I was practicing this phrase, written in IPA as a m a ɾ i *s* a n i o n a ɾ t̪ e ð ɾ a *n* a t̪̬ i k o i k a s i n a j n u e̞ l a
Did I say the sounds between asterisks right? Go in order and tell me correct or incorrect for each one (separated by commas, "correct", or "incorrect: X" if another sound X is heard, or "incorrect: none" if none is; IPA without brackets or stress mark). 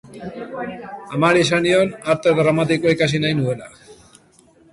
correct, incorrect: m